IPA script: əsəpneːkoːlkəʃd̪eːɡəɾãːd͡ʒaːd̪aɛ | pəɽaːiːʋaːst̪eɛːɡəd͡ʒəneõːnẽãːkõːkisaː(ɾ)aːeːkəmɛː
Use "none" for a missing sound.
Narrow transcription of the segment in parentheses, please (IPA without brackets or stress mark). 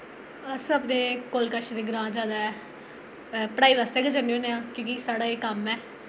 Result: ɽ